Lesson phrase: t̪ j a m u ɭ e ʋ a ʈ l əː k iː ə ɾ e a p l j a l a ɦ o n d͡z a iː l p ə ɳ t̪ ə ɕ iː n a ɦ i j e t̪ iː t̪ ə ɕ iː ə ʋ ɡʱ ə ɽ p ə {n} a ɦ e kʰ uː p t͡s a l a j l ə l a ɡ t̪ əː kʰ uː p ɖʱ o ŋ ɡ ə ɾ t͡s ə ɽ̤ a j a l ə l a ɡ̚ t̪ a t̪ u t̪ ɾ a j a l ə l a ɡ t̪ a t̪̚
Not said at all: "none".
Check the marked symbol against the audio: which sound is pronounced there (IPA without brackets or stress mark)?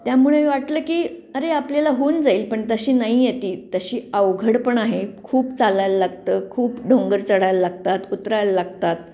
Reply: ɳ